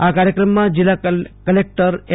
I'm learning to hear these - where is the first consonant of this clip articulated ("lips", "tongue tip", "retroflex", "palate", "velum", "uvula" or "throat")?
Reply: velum